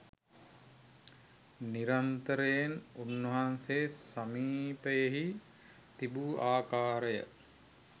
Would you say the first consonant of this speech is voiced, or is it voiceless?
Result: voiced